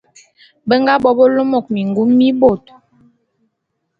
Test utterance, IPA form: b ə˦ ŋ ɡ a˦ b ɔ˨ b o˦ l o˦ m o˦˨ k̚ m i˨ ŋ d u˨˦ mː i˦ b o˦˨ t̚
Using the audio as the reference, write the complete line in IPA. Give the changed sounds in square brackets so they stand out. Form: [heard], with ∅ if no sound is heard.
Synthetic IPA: b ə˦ ŋ ɡ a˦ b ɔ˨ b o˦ l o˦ m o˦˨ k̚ m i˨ ŋ [ɡ] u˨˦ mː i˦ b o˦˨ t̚